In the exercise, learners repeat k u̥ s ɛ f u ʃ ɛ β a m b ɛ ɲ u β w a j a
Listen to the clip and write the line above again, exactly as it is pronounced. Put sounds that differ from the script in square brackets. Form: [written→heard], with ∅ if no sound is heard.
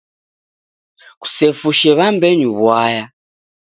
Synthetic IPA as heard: k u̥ s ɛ f u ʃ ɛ β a m b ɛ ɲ u β w a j a